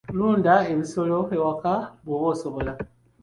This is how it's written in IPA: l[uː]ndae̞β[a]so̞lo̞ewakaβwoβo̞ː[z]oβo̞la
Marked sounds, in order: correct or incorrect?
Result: correct, incorrect: i, incorrect: s

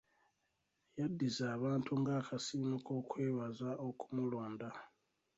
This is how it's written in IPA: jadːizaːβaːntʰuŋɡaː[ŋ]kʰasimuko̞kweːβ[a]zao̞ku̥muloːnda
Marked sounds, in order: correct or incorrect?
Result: incorrect: none, correct

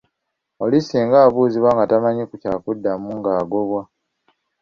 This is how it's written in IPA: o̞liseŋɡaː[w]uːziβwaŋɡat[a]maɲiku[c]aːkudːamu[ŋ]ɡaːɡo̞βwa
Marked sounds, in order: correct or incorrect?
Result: incorrect: β, correct, correct, correct

